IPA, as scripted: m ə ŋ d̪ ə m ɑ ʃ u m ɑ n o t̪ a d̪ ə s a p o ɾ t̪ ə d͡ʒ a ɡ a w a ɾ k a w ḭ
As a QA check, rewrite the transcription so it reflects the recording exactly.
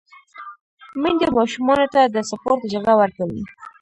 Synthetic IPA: m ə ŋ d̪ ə m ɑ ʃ u m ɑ n o t̪ a d̪ ə s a p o ɾ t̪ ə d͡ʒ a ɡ a w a ɾ k a w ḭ